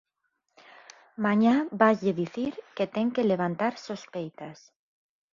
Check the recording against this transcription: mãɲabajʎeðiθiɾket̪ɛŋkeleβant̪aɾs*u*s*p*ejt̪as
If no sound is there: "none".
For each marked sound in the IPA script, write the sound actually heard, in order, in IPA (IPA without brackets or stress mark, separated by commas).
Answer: o, p